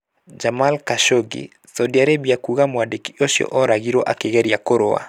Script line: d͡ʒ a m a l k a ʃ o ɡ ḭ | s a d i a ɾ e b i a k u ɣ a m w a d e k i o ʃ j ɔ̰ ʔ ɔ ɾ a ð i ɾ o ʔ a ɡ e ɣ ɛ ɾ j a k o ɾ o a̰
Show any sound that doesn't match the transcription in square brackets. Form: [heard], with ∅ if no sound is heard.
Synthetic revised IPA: d͡ʒ a m a l k a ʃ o ɡ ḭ | s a d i a ɾ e b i a k u ɣ a m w a d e k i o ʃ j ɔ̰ ʔ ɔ ɾ a [ɣ] i ɾ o ʔ a [k] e ɣ ɛ ɾ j a k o ɾ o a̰